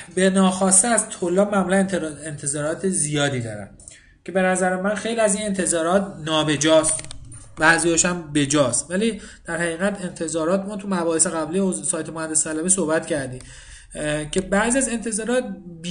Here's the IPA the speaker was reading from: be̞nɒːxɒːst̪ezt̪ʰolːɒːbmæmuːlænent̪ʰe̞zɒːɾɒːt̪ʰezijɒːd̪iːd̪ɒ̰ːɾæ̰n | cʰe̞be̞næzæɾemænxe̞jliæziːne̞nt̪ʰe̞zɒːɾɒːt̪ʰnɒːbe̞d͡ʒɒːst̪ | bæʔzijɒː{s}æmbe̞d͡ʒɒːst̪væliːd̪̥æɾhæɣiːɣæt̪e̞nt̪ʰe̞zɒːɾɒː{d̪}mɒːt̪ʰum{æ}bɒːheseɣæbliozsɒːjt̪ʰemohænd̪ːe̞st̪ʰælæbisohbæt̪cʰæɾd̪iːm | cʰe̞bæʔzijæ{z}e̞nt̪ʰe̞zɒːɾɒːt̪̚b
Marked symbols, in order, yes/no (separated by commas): no, no, yes, yes